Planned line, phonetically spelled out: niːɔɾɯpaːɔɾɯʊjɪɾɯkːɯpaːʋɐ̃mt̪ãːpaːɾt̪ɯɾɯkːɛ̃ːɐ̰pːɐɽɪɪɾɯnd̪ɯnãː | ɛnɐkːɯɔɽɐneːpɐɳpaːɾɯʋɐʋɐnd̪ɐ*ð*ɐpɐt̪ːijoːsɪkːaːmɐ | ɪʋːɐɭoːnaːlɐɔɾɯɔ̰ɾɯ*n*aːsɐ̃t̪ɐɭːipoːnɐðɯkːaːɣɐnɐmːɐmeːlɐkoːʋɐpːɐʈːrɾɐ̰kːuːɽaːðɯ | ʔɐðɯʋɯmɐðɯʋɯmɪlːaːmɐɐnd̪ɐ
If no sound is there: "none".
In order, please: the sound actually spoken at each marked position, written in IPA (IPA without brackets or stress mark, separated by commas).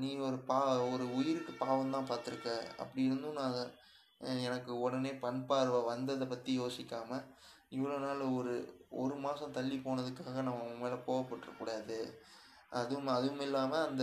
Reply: ð, m